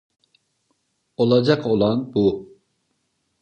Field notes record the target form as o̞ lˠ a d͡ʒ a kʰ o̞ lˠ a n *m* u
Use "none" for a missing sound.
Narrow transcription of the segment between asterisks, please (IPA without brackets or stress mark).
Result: b